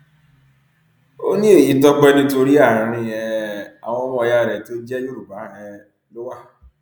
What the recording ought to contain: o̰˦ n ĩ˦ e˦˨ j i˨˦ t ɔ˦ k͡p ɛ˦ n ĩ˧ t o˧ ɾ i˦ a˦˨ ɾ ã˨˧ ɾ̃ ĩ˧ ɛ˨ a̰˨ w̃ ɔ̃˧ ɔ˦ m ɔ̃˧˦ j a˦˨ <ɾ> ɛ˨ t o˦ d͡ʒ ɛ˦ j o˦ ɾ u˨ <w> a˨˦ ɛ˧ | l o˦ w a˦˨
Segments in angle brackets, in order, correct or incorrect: correct, incorrect

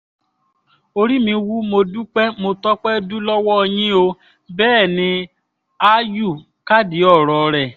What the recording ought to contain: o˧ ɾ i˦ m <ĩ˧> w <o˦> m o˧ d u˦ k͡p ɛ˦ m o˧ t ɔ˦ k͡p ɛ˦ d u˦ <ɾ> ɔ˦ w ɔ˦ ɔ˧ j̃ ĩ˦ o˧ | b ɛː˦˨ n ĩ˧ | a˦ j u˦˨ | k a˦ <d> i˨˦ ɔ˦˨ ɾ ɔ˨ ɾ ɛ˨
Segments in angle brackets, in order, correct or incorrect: correct, incorrect, incorrect, correct

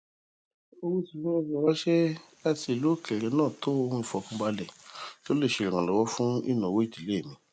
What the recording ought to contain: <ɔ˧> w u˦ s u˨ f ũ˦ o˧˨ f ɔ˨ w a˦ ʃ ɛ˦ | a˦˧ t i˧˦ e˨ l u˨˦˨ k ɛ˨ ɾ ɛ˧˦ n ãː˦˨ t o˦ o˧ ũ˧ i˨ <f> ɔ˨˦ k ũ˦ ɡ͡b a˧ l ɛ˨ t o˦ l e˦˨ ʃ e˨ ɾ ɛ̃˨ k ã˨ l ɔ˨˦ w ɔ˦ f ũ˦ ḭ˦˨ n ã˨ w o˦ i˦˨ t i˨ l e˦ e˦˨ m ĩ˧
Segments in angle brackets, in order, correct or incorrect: incorrect, correct

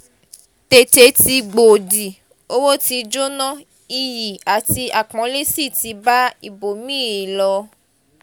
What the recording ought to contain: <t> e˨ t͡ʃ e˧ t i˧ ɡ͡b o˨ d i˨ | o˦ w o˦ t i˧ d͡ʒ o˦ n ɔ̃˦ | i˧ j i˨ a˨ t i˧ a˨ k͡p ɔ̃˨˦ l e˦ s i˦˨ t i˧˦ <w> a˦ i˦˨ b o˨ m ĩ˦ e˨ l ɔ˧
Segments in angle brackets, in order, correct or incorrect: correct, incorrect

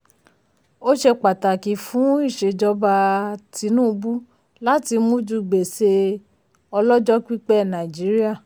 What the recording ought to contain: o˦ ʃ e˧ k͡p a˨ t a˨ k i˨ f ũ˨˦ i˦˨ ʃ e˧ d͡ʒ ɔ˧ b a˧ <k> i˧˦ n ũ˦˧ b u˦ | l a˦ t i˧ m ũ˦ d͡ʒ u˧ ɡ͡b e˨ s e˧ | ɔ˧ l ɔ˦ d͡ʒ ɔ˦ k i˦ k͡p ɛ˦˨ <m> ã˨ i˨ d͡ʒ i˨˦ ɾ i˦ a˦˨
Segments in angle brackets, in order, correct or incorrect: incorrect, incorrect

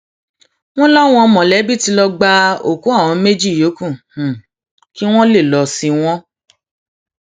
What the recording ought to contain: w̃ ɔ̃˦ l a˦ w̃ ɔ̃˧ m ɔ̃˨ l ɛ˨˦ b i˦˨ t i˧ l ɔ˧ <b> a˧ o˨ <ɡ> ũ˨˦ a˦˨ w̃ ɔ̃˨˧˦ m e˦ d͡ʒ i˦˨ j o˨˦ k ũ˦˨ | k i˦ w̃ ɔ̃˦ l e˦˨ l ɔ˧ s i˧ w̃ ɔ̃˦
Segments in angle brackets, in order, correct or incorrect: incorrect, incorrect

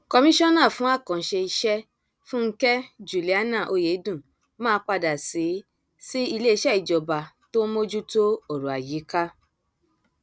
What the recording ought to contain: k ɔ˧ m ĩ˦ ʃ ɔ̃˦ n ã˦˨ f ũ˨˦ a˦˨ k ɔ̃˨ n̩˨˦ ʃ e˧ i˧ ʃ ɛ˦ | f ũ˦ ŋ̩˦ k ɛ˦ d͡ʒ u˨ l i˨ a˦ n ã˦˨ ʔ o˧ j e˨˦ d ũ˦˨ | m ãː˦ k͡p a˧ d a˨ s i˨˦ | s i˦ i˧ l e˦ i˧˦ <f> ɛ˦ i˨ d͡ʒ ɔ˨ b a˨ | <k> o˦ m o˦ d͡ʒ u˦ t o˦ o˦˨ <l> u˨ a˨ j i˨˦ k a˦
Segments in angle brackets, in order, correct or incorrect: incorrect, incorrect, incorrect

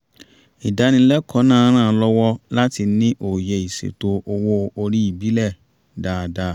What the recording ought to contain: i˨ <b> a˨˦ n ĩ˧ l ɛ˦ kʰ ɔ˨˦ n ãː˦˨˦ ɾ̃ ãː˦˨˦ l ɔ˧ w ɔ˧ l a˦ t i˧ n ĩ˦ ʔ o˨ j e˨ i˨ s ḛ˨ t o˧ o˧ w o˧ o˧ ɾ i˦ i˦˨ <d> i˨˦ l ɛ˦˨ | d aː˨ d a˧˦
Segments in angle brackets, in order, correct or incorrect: incorrect, incorrect

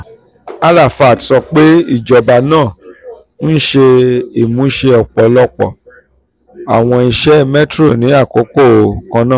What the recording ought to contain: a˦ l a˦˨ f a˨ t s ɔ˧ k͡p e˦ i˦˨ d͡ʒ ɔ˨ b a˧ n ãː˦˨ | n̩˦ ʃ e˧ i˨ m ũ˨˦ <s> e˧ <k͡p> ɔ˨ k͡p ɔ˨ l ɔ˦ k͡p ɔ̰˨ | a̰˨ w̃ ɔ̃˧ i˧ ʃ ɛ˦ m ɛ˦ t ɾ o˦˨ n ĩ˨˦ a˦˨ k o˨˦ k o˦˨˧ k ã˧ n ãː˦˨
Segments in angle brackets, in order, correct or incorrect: incorrect, incorrect

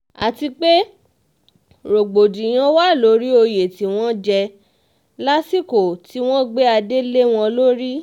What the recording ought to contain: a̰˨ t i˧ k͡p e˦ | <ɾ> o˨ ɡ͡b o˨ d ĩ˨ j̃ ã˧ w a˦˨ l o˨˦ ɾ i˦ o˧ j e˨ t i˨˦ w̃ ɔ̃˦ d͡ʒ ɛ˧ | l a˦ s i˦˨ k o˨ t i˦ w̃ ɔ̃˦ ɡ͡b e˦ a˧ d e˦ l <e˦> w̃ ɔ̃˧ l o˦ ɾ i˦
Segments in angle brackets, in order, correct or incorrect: correct, correct

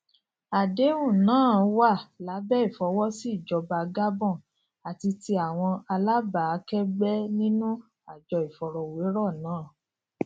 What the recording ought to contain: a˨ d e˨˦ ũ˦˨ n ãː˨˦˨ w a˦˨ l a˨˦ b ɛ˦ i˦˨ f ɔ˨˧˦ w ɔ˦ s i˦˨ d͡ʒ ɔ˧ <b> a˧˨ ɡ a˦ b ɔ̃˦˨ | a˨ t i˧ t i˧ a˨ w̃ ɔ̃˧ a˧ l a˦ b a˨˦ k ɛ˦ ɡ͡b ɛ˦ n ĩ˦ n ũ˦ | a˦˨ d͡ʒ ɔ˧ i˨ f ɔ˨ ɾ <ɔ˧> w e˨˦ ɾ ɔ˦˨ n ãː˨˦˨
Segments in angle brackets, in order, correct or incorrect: correct, correct

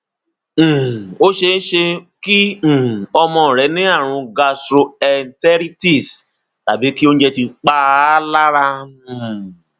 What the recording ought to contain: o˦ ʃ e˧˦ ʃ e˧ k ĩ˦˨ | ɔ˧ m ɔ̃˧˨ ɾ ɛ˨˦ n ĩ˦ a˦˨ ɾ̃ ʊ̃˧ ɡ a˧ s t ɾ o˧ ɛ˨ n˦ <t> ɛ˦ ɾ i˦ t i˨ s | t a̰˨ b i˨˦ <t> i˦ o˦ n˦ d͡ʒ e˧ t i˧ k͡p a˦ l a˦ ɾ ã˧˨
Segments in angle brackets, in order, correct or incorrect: correct, incorrect

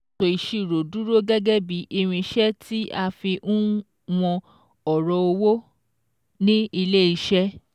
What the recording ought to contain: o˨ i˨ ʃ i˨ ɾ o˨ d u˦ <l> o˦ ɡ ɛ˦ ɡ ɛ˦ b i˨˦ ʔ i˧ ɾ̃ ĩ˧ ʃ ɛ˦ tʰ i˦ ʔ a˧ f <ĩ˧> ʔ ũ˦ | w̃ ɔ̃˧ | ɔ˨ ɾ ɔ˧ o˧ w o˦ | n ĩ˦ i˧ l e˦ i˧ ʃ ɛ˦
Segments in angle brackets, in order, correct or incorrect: incorrect, incorrect

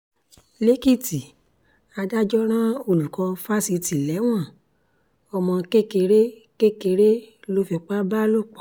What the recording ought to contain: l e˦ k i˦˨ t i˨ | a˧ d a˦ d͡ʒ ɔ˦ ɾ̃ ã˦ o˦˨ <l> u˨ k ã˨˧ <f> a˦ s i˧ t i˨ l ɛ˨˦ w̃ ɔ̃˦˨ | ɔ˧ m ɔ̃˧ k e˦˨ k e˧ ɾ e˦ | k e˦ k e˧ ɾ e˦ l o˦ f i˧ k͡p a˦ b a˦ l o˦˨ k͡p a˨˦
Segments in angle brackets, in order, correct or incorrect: correct, correct

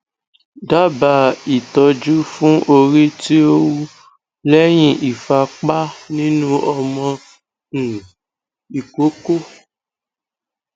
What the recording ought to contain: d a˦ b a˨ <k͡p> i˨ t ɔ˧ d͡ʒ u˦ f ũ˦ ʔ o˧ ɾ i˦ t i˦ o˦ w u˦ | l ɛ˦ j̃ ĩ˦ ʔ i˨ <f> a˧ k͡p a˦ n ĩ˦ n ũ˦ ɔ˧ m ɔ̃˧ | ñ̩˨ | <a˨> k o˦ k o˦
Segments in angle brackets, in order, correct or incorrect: incorrect, correct, incorrect

